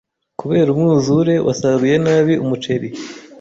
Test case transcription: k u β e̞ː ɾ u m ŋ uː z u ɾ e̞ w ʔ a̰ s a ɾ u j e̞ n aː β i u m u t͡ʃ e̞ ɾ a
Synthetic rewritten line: k u β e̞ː ɾ u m ŋ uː z u ɾ e̞ w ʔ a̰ s a ɾ u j e̞ n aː β i u m u t͡ʃ e̞ ɾ i